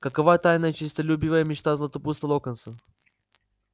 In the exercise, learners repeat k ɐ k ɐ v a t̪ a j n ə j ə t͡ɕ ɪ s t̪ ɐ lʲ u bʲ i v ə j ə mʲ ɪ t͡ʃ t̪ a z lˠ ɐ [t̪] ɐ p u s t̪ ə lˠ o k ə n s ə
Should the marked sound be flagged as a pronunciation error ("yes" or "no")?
no